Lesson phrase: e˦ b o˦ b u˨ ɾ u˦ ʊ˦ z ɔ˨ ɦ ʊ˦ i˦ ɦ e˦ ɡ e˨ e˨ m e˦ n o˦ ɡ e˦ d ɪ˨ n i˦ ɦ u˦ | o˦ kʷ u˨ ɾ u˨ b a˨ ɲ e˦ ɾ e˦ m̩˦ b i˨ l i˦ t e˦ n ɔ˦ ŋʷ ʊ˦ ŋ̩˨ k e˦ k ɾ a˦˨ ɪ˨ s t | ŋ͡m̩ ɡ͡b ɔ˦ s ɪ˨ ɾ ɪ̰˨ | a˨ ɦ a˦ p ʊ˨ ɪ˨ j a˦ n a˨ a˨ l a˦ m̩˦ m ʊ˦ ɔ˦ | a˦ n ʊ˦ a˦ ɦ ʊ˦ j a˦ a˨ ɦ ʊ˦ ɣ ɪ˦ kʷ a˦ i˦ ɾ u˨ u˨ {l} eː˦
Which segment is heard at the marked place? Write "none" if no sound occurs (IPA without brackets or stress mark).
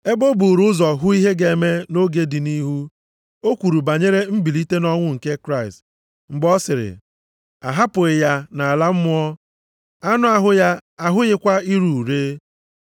ɾ